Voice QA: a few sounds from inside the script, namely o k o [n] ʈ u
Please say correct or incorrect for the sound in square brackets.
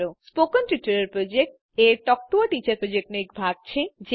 correct